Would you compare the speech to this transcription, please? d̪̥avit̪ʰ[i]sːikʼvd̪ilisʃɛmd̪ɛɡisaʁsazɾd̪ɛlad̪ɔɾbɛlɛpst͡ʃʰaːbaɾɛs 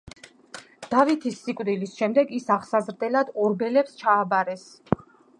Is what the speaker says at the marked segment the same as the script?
yes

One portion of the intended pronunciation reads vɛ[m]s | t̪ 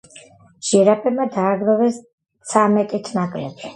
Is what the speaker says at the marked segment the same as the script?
no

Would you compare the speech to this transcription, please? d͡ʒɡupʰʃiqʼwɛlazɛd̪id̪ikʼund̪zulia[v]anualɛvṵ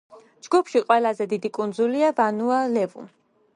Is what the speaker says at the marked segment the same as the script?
yes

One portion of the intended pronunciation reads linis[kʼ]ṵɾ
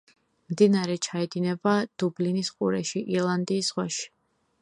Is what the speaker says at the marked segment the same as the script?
no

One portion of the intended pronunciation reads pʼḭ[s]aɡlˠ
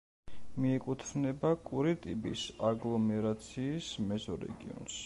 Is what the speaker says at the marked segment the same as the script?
yes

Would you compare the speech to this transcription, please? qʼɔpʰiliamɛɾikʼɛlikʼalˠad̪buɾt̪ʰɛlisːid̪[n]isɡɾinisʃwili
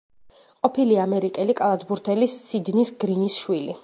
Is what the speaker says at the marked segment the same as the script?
yes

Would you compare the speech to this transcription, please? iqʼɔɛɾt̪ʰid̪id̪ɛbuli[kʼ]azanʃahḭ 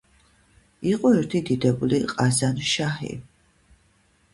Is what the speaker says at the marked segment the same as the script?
no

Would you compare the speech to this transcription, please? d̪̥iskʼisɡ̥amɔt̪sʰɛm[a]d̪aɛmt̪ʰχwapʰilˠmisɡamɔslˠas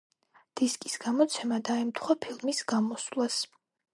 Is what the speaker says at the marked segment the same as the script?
yes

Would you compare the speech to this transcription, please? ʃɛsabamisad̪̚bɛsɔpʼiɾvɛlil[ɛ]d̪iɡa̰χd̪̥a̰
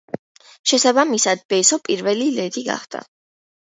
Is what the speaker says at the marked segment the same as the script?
yes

